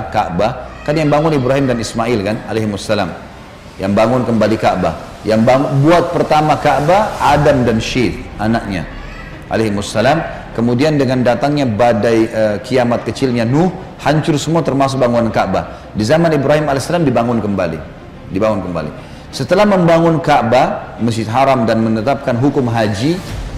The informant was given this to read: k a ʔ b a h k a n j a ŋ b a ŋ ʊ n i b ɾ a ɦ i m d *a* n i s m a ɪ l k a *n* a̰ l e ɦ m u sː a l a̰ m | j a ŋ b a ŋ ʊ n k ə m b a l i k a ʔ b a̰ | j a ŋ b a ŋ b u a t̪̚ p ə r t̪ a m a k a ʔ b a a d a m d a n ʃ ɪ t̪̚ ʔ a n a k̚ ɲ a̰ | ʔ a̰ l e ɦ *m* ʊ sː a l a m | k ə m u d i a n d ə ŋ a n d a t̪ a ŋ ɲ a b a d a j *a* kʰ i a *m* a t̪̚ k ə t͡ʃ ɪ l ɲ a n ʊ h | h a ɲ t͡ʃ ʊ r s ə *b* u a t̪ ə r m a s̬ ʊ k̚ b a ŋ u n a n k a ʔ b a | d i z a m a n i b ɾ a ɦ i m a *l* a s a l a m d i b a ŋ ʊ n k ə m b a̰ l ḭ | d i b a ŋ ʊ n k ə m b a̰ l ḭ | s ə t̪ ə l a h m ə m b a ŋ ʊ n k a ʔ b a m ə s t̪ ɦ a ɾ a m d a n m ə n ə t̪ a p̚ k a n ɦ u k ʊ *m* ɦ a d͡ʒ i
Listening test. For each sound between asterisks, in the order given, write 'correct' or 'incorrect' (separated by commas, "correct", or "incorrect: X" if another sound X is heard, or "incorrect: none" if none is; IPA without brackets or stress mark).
correct, correct, correct, incorrect: ə, correct, incorrect: m, correct, correct